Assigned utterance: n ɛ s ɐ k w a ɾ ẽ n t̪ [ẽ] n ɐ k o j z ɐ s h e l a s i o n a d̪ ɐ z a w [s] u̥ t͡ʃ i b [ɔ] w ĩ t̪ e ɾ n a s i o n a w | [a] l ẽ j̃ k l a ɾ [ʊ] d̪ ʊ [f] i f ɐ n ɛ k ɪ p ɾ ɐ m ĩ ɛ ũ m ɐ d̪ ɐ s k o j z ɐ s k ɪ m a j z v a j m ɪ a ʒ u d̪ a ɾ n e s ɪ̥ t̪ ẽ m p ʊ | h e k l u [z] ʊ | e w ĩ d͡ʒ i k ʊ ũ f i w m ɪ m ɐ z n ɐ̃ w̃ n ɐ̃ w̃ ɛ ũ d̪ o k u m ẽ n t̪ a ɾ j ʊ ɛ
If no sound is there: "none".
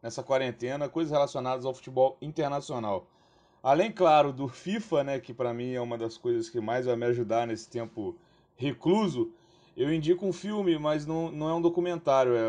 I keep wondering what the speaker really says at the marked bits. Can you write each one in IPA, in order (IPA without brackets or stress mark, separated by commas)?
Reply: ẽ, f, ɔ, a, ʊ, f, z